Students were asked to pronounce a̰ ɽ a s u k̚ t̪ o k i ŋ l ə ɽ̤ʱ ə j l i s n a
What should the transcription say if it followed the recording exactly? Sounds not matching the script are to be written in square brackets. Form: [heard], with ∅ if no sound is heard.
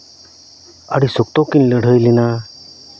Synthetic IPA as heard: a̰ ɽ [i] s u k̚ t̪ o k i [n] l ə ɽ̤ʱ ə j l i [∅] n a